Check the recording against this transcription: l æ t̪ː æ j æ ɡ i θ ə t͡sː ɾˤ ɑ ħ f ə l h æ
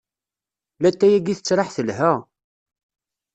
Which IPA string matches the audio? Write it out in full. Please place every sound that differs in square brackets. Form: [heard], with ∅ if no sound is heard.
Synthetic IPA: l æ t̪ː æ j æ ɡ i θ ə t͡sː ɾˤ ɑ ħ [θ] ə l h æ